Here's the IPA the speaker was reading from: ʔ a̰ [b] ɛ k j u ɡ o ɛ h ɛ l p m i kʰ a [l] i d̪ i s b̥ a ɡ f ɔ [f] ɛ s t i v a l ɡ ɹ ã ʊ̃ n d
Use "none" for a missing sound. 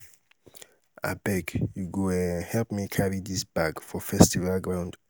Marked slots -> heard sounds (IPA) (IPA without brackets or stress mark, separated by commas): b, ɹ, f